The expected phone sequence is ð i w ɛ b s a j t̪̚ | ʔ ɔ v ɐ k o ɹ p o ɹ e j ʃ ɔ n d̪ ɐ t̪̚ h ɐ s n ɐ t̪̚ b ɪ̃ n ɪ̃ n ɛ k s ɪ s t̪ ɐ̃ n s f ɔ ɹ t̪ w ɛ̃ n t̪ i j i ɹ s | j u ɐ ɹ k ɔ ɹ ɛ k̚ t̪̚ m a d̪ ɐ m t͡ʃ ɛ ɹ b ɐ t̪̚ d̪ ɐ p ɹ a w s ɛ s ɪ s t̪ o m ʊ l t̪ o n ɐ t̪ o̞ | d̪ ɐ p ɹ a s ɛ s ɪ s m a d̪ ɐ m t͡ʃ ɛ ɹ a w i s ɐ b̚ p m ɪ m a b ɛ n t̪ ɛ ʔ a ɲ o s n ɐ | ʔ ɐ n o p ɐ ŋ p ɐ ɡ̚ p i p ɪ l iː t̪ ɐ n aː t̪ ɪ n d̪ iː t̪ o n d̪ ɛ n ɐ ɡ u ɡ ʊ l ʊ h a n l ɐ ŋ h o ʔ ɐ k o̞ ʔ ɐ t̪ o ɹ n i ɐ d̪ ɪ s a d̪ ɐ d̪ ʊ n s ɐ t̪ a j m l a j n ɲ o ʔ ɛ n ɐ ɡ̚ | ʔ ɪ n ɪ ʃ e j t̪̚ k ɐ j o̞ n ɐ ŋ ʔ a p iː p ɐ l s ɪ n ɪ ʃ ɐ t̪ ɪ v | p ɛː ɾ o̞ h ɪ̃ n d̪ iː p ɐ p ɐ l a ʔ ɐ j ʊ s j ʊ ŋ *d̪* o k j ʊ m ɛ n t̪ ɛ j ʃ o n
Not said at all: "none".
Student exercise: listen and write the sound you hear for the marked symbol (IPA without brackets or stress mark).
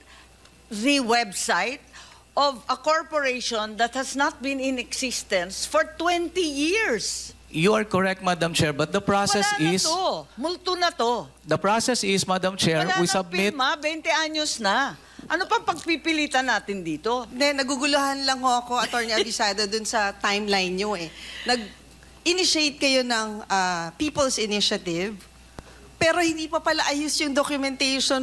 d̪